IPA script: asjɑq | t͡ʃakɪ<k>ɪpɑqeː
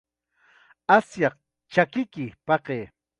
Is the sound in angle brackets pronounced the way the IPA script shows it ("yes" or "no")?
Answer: yes